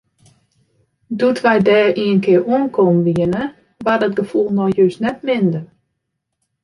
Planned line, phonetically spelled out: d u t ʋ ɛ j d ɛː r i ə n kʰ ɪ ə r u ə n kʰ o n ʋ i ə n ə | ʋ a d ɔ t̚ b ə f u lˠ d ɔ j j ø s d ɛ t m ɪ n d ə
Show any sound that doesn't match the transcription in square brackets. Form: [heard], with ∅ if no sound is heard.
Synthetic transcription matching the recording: d u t ʋ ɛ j d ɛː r i ə n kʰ ɪ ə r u ə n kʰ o [m] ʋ i ə n ə | ʋ a d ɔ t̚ [ɡ] ə f u lˠ [n] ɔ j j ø s [n] ɛ t m ɪ n d ə